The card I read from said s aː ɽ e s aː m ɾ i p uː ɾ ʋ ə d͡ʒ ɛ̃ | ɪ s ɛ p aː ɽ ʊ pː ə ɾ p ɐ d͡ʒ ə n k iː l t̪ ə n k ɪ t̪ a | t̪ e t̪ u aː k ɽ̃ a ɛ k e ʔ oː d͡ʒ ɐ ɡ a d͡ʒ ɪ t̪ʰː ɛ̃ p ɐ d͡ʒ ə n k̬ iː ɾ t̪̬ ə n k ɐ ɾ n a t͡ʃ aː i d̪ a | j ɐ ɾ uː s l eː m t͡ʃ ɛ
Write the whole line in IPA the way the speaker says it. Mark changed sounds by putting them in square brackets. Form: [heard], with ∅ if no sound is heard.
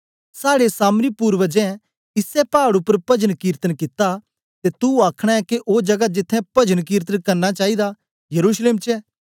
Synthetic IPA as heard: s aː ɽ e s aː m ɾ i p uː ɾ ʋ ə d͡ʒ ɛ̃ | ɪ s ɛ p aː ɽ ʊ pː ə ɾ p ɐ d͡ʒ ə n k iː [ɾ] t̪ ə n k ɪ t̪ a | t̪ e t̪ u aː [kʰ] ɽ̃ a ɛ k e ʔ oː d͡ʒ ɐ ɡ a d͡ʒ ɪ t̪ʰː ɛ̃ p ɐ d͡ʒ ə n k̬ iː ɾ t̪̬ ə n k ɐ ɾ n a t͡ʃ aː i d̪ a | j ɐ ɾ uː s l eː m t͡ʃ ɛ